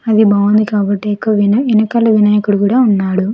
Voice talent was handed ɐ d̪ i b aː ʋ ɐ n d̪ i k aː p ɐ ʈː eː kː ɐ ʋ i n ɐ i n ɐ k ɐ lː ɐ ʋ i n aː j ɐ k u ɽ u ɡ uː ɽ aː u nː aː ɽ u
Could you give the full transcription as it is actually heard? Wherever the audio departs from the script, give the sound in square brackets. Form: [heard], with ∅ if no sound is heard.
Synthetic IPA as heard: ɐ d̪ i b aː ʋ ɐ n d̪ i k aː [b] ɐ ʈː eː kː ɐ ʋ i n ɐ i n ɐ k ɐ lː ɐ ʋ i n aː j ɐ k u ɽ u [k] uː ɽ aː u nː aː ɽ u